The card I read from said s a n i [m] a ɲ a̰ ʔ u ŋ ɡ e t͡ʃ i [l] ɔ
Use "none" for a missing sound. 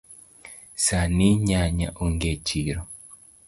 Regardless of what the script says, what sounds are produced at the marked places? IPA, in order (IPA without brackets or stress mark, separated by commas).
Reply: ɲ, ɾ